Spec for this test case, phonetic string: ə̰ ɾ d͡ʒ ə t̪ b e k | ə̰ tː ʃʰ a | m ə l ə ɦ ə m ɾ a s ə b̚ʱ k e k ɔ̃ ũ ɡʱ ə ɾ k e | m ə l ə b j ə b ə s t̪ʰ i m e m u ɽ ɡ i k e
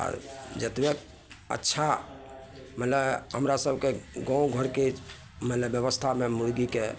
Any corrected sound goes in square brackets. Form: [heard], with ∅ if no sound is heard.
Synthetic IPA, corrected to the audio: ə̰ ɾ d͡ʒ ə t̪ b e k | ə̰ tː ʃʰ a | m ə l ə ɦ ə m ɾ a s ə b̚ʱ k e [ɡ] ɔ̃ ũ ɡʱ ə ɾ k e | m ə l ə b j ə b ə s t̪ʰ [a] m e m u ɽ ɡ i k e